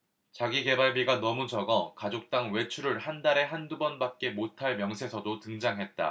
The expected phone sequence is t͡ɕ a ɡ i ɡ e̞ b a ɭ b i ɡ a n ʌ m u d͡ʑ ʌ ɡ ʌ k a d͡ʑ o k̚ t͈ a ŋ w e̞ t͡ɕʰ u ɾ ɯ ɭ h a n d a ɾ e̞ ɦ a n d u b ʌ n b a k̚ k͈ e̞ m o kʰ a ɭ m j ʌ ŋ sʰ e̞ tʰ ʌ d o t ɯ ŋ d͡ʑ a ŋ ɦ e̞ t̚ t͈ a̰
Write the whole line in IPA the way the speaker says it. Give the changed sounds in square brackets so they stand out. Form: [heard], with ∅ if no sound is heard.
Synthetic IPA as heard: t͡ɕ a ɡ i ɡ e̞ b a ɭ b i ɡ a n ʌ m u d͡ʑ ʌ ɡ ʌ k a d͡ʑ o k̚ t͈ a ŋ w e̞ t͡ɕʰ u ɾ ɯ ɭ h a n d a ɾ e̞ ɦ a n d u b ʌ n b a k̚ k͈ e̞ m o [tʰ] a ɭ m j ʌ ŋ sʰ e̞ [sʰ] ʌ d o t ɯ ŋ d͡ʑ a ŋ ɦ e̞ t̚ t͈ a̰